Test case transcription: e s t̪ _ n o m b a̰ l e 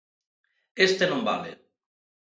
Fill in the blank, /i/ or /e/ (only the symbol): e